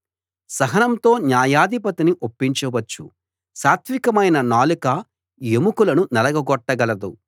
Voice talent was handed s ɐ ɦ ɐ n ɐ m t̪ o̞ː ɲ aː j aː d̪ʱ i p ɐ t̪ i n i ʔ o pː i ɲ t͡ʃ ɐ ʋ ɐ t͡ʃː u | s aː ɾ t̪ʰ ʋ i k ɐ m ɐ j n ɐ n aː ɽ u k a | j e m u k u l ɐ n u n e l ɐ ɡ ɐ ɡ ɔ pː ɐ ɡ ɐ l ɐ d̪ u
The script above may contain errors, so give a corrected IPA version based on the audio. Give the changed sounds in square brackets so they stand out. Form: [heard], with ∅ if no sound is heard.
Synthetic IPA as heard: s ɐ ɦ ɐ n ɐ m t̪ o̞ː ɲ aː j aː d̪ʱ i p ɐ t̪ i n i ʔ o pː i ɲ t͡ʃ ɐ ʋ ɐ t͡ʃː u | s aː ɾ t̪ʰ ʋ i k ɐ m ɐ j n ɐ n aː [l] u k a | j e m u k u l ɐ n u n [ɛ] l ɐ ɡ ɐ ɡ ɔ [ʈː] ɐ ɡ ɐ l ɐ d̪ u